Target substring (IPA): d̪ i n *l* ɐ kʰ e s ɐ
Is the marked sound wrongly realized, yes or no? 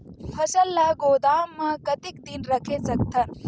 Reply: yes